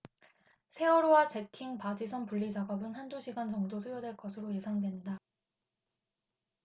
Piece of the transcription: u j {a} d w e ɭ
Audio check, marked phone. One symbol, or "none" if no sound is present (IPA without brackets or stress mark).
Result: ʌ